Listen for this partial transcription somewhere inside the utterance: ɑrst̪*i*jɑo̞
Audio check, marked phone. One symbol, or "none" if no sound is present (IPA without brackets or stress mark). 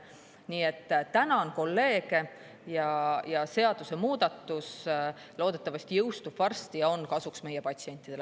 i